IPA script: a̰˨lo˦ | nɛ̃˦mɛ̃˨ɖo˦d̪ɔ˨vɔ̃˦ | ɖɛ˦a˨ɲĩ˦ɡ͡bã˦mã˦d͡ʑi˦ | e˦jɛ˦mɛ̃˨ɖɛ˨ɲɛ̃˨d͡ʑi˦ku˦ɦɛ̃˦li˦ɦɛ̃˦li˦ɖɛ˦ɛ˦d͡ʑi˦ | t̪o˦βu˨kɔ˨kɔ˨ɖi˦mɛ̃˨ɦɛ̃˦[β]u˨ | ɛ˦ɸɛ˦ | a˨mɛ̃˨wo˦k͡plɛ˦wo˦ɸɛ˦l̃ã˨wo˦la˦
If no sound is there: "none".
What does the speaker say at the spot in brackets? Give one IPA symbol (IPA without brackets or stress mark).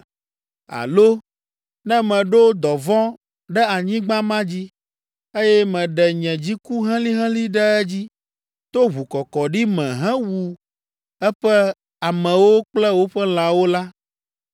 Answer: w